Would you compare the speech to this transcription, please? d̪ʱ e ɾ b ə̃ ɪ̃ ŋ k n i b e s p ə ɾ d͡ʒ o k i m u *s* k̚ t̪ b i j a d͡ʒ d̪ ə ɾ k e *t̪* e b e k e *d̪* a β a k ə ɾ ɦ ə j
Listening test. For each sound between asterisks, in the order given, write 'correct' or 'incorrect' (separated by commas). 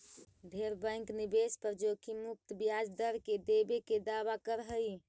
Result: incorrect, incorrect, correct